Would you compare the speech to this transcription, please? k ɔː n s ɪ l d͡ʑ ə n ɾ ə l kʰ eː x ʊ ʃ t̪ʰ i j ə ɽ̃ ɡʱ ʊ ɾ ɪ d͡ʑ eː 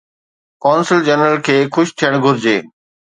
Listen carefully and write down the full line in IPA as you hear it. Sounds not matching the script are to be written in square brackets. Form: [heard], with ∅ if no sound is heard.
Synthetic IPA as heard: k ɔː n s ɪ l d͡ʑ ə n ɾ ə l kʰ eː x ʊ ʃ t̪ʰ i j ə ɽ̃ ɡʱ ʊ ɾ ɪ d͡ʑ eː

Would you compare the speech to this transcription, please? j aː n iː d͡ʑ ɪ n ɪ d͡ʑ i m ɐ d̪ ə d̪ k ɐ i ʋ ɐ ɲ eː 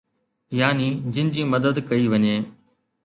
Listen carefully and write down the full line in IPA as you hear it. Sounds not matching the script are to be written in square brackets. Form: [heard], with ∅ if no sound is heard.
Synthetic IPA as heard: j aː n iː d͡ʑ ɪ n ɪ d͡ʑ [iː] m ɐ d̪ ə d̪ k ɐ i ʋ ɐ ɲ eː

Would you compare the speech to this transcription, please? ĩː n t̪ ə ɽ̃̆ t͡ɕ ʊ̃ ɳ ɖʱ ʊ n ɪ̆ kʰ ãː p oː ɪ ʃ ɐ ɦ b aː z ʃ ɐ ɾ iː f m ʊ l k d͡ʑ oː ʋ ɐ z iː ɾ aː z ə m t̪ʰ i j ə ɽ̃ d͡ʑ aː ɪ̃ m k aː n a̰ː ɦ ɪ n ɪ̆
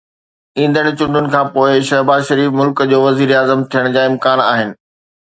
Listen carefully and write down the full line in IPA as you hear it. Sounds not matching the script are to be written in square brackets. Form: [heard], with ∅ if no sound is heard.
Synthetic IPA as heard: ĩː n [d̪] ə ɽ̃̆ t͡ɕ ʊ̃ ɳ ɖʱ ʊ n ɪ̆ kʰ ãː p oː ɪ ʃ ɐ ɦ b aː z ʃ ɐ ɾ iː f m ʊ l k d͡ʑ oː ʋ ɐ z iː ɾ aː z ə m t̪ʰ i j ə ɽ̃ d͡ʑ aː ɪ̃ m k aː n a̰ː ɦ ɪ n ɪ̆

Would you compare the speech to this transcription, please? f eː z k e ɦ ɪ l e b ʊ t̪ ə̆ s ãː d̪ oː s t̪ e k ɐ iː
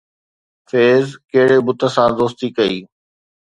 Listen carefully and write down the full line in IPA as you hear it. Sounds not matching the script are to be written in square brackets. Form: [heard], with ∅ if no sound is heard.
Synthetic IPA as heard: f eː z k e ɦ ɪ [ɽ] e b ʊ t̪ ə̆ s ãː d̪ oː s t̪ [i] k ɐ iː

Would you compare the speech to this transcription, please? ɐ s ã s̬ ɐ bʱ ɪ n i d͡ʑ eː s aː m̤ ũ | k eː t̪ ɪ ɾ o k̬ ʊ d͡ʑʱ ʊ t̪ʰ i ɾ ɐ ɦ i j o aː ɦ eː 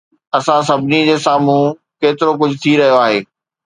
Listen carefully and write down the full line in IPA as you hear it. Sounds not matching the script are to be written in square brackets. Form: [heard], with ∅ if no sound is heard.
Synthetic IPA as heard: ɐ s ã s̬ ɐ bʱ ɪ n i d͡ʑ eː s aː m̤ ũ | k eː t̪ ɪ ɾ o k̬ ʊ d͡ʑʱ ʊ t̪ʰ i ɾ ɐ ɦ i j o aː ɦ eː

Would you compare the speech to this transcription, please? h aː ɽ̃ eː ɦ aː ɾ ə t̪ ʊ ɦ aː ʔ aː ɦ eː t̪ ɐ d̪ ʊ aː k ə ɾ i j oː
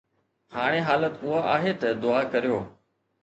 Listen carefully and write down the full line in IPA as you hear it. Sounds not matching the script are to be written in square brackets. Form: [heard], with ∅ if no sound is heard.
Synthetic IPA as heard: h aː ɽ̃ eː ɦ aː [l] ə t̪ ʊ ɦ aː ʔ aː ɦ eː t̪ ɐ d̪ ʊ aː k ə ɾ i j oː

